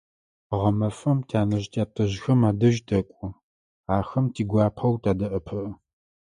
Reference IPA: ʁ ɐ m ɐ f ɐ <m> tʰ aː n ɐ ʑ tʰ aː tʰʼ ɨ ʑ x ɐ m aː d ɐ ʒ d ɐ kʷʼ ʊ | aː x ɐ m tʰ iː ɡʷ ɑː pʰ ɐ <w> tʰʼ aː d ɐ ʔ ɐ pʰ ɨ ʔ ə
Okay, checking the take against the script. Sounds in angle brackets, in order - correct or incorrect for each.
correct, correct

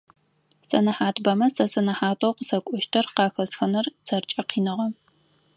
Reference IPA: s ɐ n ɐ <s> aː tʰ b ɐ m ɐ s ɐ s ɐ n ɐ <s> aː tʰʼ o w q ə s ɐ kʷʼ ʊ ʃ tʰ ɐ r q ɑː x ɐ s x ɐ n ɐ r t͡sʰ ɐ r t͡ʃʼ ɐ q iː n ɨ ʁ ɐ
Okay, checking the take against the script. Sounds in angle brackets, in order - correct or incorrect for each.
incorrect: ħ, incorrect: ħ

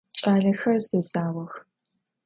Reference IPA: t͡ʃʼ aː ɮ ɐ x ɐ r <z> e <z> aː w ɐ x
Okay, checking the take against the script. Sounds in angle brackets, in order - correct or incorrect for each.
correct, correct

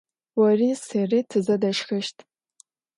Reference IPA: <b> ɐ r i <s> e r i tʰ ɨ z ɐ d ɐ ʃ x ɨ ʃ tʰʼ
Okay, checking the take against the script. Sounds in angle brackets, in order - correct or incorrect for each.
incorrect: w, correct

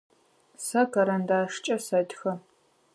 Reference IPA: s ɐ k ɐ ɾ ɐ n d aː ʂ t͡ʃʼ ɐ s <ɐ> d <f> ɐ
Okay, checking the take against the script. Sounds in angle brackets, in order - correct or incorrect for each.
correct, incorrect: x

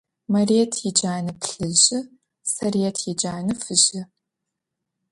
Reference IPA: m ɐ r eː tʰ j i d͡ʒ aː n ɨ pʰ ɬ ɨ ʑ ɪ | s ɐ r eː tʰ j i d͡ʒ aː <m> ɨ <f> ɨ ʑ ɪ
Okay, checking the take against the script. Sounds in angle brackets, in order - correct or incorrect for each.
incorrect: n, correct

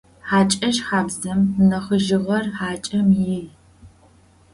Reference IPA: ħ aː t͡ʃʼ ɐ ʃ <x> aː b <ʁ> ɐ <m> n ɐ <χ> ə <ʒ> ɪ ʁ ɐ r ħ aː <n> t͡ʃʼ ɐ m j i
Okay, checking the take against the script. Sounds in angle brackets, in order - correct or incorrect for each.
incorrect: ħ, incorrect: z, correct, correct, correct, incorrect: none

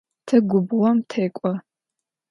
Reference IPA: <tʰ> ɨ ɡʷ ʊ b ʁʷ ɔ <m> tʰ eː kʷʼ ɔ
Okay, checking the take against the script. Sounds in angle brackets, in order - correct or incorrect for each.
correct, correct

